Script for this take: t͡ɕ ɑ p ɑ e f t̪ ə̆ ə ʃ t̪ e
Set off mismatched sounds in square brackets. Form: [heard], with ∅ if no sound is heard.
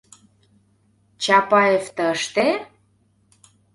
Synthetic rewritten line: t͡ɕ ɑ p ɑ e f t̪ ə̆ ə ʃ t̪ e